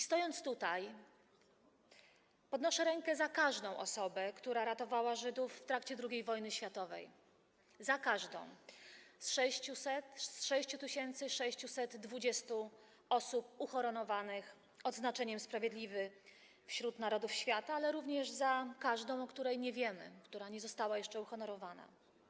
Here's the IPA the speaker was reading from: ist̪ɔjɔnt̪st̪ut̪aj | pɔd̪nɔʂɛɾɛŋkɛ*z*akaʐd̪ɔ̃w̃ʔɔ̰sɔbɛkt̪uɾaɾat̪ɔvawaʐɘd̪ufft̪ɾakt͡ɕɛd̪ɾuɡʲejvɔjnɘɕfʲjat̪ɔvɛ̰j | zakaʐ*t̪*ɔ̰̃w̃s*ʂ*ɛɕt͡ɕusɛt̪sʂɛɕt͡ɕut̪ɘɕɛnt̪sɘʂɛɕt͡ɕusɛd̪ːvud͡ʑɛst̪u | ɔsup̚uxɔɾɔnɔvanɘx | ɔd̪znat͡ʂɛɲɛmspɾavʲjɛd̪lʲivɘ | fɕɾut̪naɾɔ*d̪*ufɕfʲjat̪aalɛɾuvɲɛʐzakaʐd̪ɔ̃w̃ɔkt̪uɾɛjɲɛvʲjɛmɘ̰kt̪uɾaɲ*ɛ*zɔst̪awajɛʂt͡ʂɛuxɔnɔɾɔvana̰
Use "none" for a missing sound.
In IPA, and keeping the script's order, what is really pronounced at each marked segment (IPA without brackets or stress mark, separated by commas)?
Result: z, d̪, ʂ, d̪, ɛ